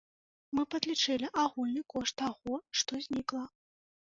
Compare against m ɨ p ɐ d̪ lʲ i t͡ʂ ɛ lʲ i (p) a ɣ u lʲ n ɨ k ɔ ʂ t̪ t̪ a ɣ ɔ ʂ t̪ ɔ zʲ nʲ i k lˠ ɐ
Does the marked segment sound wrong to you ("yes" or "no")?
yes